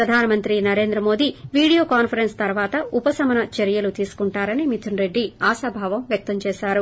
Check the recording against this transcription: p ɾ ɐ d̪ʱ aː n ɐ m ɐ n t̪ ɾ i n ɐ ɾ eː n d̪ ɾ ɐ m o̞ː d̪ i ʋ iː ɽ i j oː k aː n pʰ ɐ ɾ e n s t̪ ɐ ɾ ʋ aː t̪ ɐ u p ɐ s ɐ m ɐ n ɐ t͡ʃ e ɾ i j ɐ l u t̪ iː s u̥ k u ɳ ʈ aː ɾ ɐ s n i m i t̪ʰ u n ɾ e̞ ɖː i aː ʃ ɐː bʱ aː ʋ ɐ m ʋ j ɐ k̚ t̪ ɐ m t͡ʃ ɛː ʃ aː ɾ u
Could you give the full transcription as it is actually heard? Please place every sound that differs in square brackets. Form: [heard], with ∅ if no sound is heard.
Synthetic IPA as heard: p ɾ ɐ d̪ʱ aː n ɐ m ɐ n t̪ ɾ i n ɐ ɾ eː n d̪ ɾ ɐ m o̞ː d̪ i ʋ iː ɽ i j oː k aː n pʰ ɐ ɾ e n s t̪ ɐ ɾ ʋ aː t̪ ɐ u p ɐ s ɐ m ɐ n ɐ t͡ʃ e ɾ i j ɐ l u t̪ iː s u̥ k u ɳ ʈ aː ɾ ɐ [∅] n i m i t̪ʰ u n ɾ e̞ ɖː i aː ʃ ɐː bʱ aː ʋ ɐ m ʋ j ɐ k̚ t̪ ɐ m t͡ʃ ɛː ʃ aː ɾ u